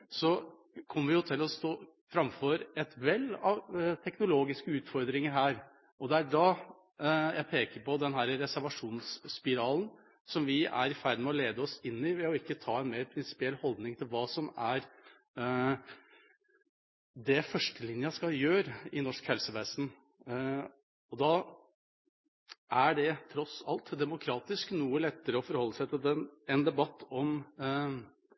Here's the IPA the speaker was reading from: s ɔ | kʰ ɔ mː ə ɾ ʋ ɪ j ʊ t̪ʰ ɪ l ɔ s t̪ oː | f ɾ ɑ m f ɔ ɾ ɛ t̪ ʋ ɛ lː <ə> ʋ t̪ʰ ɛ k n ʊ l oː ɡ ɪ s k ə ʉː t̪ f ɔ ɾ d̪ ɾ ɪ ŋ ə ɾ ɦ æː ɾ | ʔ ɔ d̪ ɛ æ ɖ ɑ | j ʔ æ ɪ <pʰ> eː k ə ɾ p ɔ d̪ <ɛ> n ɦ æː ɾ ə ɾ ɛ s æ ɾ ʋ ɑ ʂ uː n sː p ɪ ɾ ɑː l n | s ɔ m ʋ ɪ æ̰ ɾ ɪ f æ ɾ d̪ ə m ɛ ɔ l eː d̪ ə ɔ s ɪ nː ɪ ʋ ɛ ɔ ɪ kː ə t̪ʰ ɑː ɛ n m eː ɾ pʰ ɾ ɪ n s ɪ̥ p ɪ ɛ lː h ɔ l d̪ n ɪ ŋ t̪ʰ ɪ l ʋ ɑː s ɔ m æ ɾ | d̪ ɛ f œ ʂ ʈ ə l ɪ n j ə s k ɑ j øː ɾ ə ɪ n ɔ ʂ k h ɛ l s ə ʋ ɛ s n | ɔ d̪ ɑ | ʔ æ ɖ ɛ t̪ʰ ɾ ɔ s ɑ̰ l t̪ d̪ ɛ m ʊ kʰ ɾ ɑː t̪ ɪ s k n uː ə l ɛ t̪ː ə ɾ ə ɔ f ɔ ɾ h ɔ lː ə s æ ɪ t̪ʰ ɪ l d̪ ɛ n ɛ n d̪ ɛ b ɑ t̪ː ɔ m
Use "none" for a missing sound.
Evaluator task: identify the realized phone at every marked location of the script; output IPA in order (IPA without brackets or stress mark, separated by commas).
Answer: ɑ, pʰ, ɛ